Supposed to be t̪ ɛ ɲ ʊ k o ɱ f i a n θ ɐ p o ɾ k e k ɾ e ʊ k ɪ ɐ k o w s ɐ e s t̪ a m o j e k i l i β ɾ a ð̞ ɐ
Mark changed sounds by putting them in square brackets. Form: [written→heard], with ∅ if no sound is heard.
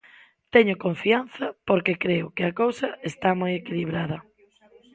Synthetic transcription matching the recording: t̪ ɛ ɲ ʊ k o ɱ f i a n θ ɐ p o ɾ k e k ɾ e ʊ k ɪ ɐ k o w s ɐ e s t̪ a m o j e k i l i β ɾ a ð̞ ɐ

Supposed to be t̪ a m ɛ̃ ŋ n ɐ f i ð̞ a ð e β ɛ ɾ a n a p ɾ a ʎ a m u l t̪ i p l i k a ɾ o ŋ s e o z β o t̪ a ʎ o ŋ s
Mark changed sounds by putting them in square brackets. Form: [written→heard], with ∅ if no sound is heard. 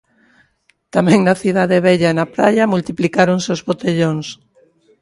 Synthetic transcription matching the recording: t̪ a m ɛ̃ ŋ n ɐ [f→θ] i ð̞ a ð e β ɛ [ɾ→ʎ] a n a p ɾ a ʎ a m u l t̪ i p l i k a ɾ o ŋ s e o z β o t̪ [a→e] ʎ o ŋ s

